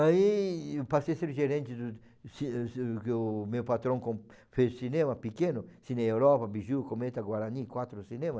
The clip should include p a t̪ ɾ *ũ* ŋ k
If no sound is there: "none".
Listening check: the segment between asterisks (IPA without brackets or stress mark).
õ